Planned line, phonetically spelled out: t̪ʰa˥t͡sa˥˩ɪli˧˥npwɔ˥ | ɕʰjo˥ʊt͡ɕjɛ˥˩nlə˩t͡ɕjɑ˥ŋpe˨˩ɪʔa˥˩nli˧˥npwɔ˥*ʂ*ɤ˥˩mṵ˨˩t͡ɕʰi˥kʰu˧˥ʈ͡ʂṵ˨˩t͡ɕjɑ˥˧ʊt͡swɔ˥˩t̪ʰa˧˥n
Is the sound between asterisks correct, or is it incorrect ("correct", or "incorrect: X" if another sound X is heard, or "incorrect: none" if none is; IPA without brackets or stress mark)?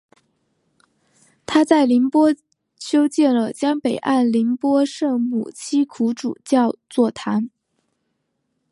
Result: correct